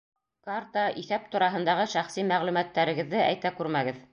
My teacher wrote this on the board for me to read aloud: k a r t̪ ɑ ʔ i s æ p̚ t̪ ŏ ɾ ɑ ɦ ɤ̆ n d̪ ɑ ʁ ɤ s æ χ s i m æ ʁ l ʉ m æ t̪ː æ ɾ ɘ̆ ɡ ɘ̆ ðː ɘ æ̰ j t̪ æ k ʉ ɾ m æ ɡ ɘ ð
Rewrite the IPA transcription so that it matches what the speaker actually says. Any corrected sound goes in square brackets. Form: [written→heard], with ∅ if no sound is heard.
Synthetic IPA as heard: k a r t̪ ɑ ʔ i [s→θ] æ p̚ t̪ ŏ ɾ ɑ ɦ ɤ̆ n d̪ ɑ ʁ ɤ [s→ʃ] æ χ s i m æ ʁ l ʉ m æ t̪ː æ ɾ ɘ̆ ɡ ɘ̆ ðː ɘ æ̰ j t̪ æ k ʉ ɾ m æ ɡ ɘ ð

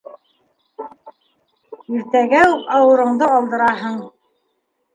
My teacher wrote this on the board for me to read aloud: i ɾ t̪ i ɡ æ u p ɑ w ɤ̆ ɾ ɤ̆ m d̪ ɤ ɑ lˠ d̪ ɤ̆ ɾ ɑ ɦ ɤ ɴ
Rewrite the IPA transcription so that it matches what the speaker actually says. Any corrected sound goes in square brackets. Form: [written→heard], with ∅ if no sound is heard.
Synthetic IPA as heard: i ɾ t̪ [i→æ] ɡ æ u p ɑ w ɤ̆ ɾ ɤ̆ [m→ɴ] d̪ ɤ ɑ lˠ d̪ ɤ̆ ɾ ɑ ɦ ɤ ɴ

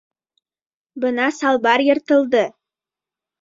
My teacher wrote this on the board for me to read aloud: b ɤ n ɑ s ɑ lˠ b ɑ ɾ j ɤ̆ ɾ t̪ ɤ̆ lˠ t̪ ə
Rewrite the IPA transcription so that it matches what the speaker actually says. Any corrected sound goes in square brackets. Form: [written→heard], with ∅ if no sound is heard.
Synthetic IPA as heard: b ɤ n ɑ s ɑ lˠ b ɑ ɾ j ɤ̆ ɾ t̪ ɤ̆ lˠ [t̪→d̪] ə

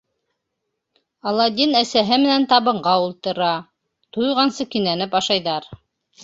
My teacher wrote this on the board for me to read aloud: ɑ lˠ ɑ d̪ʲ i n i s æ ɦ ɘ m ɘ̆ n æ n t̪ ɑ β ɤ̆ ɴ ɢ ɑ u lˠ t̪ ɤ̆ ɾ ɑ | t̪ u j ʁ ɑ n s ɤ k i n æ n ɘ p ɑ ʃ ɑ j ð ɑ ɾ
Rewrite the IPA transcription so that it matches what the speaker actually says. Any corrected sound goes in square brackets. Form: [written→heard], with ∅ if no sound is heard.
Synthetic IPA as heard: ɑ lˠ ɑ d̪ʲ i n [i→æ] s æ ɦ ɘ m ɘ̆ n æ n t̪ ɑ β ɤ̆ ɴ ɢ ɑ u lˠ t̪ ɤ̆ ɾ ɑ | t̪ u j ʁ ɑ n s ɤ k i n æ n ɘ p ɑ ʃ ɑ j ð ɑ ɾ

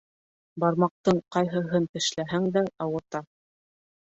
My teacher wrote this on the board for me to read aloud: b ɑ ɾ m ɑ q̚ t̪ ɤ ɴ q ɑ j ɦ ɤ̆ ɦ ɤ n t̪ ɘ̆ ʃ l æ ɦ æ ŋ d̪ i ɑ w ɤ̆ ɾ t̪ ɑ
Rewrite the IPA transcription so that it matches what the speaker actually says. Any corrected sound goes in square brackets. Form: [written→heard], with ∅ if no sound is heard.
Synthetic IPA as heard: b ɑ ɾ m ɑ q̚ t̪ ɤ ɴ q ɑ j ɦ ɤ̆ ɦ ɤ n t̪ ɘ̆ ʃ l æ ɦ æ ŋ d̪ [i→æ] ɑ w ɤ̆ ɾ t̪ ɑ

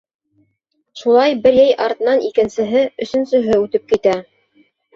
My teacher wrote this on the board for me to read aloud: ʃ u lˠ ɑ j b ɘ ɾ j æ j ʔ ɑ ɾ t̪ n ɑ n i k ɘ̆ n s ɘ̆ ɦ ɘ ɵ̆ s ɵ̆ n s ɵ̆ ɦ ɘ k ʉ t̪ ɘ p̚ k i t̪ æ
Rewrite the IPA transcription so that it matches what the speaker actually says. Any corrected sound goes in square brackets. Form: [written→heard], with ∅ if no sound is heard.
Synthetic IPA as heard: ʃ u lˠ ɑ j b ɘ ɾ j æ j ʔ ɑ ɾ t̪ n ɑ n i k ɘ̆ n s ɘ̆ ɦ ɘ ɵ̆ s ɵ̆ n s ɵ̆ ɦ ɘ [k→∅] ʉ t̪ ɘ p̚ k i t̪ æ

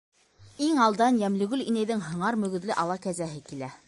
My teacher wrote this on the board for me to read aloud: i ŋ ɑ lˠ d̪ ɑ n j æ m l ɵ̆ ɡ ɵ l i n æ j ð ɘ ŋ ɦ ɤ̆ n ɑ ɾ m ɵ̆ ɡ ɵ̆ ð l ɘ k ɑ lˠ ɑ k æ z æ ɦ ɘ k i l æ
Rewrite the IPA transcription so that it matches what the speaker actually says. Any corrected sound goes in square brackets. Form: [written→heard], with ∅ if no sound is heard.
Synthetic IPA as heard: i ŋ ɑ lˠ d̪ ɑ n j æ m l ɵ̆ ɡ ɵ l i n æ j ð ɘ ŋ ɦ ɤ̆ [n→ɴ] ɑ ɾ m ɵ̆ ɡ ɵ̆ ð l ɘ [k→ʔ] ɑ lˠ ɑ k æ z æ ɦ ɘ k i l æ

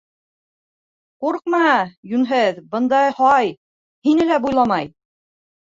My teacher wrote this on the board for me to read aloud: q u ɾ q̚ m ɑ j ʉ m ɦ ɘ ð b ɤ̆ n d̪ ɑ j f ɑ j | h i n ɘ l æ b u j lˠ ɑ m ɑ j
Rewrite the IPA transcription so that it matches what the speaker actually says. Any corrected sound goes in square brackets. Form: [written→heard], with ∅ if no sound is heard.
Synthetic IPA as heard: q u ɾ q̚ m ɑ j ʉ [m→n] ɦ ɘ ð b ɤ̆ n d̪ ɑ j [f→h] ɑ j | h i n ɘ l æ b u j lˠ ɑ m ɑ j

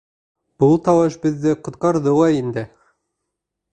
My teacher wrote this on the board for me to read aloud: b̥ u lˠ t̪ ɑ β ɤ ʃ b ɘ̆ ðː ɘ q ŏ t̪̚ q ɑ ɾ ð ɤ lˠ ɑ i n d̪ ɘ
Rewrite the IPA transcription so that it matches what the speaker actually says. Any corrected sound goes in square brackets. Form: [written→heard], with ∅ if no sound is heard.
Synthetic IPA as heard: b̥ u lˠ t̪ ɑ [β→w] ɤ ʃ b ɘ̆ ðː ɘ q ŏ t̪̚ q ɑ ɾ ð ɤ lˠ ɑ i n d̪ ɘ

